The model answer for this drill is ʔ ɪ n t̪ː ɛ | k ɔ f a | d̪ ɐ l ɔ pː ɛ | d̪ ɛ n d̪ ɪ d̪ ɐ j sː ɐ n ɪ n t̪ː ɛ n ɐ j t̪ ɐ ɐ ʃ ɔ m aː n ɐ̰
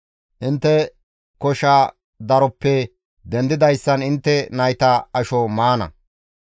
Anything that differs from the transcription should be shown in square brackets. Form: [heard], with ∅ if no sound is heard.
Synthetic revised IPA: ʔ ɪ n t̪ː ɛ | k ɔ [ʃ] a | d̪ ɐ [ɾ] ɔ pː ɛ | d̪ ɛ n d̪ ɪ d̪ ɐ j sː ɐ n ɪ n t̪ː ɛ n ɐ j t̪ ɐ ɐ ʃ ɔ m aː n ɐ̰